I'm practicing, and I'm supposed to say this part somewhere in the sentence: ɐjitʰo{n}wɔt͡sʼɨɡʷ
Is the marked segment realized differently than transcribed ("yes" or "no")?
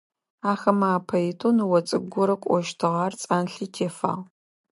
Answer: no